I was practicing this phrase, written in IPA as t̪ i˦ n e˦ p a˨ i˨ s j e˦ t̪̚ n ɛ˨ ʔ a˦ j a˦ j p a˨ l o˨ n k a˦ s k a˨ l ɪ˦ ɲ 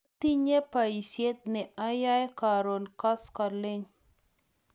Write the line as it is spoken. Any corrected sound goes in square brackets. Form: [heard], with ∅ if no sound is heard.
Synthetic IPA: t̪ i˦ [ɲ] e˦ p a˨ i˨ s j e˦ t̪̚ n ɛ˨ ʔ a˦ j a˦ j [k] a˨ [ɾ] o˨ n k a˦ s k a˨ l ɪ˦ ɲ